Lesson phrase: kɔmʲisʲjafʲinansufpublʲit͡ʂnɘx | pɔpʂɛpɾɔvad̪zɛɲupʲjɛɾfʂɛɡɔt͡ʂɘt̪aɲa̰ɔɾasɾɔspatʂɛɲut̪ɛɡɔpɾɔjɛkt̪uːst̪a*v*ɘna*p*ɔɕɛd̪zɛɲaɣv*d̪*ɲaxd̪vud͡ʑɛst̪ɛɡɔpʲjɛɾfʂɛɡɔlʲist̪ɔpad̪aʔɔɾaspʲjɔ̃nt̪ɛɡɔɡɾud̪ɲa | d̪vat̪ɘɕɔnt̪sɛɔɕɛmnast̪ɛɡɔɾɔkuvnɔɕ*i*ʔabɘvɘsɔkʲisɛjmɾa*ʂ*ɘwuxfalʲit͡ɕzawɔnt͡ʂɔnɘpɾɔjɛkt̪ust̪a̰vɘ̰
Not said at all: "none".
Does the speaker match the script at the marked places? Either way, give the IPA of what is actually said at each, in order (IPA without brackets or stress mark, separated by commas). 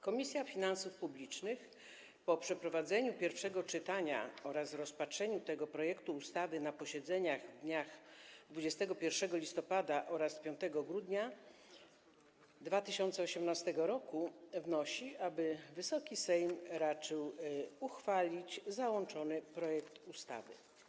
v, p, d̪, i, t͡ʂ